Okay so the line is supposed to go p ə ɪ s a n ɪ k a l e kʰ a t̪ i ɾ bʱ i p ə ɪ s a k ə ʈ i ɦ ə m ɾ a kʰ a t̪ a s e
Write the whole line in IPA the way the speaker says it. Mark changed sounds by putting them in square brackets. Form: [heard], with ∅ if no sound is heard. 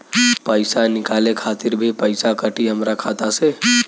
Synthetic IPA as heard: p ə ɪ s a n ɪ k a l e kʰ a t̪ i ɾ bʱ i p ə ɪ s a k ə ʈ i ɦ ə m ɾ a kʰ a t̪ a s e

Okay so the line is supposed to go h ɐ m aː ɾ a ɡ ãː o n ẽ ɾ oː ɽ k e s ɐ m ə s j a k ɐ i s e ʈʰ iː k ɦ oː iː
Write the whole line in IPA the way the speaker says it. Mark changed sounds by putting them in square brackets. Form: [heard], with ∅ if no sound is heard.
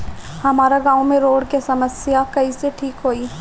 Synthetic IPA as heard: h ɐ m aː ɾ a ɡ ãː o [m] ẽ ɾ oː ɽ k e s ɐ m ə s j a k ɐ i s e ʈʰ iː k ɦ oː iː

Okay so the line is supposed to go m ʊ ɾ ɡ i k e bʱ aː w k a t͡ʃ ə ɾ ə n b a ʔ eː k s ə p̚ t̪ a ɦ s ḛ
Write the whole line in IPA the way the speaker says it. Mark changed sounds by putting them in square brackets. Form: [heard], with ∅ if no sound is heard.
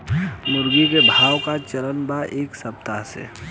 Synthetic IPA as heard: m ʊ ɾ ɡ i k e bʱ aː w k a t͡ʃ ə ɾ ə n b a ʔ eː k s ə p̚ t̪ a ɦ s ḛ

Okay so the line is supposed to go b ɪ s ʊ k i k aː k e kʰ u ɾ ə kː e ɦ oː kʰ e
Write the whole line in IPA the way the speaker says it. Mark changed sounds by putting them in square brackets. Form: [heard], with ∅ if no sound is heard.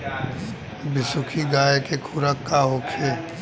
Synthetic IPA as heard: b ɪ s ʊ [kʰ] i [ɡ] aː k e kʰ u ɾ ə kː [a] ɦ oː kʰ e

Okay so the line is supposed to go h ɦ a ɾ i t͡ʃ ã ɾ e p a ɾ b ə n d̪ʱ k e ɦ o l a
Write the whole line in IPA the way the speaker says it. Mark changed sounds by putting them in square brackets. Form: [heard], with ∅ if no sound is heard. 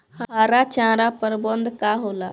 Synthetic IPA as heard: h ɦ a ɾ [a] t͡ʃ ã ɾ [a] p [ə] ɾ b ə n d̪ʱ k [a] ɦ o l a

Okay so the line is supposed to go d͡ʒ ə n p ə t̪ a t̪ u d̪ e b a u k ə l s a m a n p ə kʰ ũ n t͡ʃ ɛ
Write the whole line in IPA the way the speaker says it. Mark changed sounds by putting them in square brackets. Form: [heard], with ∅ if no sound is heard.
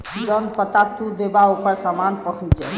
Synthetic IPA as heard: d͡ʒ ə n p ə t̪ a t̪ u d̪ e b a u [p] ə [ɾ] s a m a n p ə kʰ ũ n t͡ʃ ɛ

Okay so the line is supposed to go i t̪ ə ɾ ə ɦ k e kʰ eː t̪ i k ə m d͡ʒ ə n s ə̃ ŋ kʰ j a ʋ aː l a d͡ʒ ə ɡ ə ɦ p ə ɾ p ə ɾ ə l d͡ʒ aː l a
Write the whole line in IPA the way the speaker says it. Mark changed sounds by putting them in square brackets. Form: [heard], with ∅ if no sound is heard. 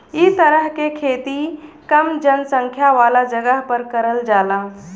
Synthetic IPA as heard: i t̪ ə ɾ ə ɦ k e kʰ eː t̪ i k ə m d͡ʒ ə n s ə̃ ŋ kʰ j a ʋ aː l a d͡ʒ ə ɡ ə ɦ p ə ɾ [k] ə ɾ ə l d͡ʒ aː l a

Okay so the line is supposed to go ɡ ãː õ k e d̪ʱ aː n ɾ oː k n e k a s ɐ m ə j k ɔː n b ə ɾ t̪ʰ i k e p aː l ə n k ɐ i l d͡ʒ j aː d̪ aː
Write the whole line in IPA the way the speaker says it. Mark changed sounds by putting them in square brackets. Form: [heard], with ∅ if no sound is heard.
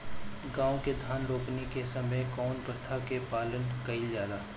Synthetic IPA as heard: ɡ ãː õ k e d̪ʱ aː n ɾ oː k n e k [e] s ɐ m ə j k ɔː n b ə ɾ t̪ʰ [a] k e p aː l ə n k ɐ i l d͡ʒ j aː d̪ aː

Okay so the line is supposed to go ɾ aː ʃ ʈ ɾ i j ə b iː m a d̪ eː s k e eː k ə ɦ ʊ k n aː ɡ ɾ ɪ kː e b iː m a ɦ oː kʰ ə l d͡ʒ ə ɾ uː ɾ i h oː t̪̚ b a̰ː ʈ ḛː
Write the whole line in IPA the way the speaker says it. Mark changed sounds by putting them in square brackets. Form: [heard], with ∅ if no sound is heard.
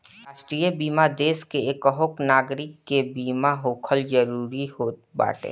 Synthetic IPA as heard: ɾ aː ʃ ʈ ɾ i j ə b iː m a d̪ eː s k e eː k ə ɦ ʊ k n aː ɡ ɾ ɪ kː e b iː m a ɦ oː kʰ ə l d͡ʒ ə ɾ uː ɾ i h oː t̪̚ b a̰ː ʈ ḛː

